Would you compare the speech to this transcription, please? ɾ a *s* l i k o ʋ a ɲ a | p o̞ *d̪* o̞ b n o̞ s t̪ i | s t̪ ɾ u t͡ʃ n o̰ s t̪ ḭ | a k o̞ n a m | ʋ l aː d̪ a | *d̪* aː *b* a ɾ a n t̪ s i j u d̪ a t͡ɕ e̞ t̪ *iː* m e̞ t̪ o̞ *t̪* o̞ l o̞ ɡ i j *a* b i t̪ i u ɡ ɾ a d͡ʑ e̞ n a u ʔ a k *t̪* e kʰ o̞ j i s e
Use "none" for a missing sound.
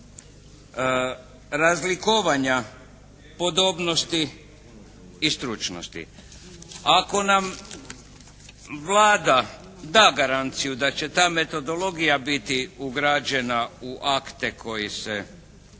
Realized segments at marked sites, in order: z, d̪, d̪, ɡ, aː, d̪, a, t̪

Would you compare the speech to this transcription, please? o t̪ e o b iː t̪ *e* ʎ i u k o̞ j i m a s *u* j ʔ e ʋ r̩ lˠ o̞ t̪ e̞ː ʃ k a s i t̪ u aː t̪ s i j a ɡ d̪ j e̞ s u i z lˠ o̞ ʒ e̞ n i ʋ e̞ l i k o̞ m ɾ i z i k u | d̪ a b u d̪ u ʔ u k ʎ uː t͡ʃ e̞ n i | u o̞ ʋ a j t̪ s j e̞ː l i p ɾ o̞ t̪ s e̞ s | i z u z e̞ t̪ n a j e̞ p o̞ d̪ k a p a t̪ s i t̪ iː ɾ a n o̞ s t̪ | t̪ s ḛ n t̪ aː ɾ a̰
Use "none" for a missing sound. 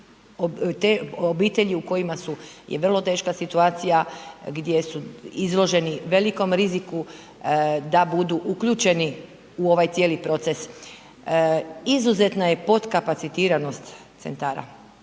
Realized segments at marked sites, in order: e, u

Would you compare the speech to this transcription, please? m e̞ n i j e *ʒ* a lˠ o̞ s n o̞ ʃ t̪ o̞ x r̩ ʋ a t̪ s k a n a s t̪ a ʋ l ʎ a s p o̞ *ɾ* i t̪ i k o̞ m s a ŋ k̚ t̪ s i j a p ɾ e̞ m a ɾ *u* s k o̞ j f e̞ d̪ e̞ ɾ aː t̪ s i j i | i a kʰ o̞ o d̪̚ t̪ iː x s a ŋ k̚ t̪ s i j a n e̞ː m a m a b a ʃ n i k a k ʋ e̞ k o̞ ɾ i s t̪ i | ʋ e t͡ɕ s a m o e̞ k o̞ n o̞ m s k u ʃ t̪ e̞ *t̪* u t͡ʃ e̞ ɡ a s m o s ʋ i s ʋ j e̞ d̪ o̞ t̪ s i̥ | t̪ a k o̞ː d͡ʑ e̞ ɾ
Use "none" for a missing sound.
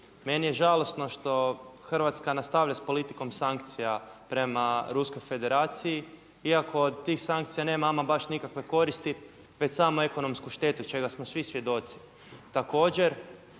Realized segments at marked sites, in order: ʒ, l, u, t̪

